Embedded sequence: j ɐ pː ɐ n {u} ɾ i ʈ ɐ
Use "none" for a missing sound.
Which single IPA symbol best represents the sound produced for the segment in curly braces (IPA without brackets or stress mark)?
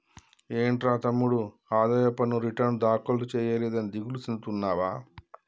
u